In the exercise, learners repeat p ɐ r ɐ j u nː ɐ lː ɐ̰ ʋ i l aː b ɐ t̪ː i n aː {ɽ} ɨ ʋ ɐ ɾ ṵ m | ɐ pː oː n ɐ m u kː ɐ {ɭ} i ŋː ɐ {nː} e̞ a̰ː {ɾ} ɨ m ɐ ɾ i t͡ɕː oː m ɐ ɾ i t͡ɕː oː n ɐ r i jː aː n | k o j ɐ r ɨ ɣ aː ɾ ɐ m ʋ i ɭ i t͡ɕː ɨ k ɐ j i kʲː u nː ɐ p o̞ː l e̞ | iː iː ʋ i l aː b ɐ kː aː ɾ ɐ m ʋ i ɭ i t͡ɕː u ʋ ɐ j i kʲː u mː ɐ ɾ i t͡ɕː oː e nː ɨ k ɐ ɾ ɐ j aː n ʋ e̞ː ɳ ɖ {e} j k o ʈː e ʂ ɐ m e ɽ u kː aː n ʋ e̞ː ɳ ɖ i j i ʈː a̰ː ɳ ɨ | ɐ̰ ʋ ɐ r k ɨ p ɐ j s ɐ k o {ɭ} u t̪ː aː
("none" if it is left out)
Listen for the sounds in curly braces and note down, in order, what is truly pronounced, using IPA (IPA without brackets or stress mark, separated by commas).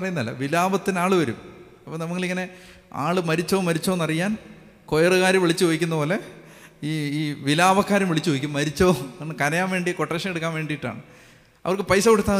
ɭ, ɭ, n, ɭ, i, ɽ